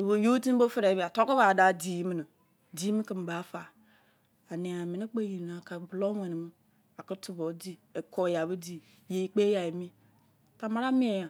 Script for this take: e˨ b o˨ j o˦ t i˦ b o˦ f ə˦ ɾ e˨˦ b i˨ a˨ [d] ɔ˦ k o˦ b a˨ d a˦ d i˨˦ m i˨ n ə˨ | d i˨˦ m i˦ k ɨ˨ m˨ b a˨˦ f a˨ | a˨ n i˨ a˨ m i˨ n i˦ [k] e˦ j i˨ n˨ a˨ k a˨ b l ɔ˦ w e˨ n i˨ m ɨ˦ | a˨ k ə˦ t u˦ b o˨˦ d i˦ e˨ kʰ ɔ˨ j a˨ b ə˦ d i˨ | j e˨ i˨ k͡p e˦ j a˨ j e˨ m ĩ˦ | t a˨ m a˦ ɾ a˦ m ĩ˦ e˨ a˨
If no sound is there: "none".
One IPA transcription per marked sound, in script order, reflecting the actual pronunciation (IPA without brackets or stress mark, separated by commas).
t, k͡p